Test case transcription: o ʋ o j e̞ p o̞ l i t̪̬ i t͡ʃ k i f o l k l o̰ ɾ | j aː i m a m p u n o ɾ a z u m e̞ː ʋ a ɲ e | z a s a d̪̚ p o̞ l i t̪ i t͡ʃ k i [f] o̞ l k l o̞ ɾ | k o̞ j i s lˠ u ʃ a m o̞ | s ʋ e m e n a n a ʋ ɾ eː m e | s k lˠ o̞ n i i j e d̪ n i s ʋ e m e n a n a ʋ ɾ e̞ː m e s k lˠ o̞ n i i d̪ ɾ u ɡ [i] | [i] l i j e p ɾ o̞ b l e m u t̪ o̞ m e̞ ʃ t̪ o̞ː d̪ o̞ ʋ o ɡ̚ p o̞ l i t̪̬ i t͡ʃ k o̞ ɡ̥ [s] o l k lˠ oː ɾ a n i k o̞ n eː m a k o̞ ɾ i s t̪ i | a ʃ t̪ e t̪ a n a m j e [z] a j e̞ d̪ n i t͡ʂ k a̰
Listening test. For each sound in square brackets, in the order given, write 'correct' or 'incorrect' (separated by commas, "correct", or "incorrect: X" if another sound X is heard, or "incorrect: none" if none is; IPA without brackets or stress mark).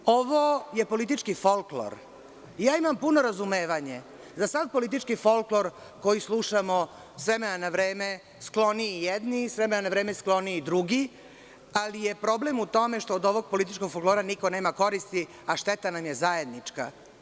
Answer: correct, correct, incorrect: a, incorrect: f, correct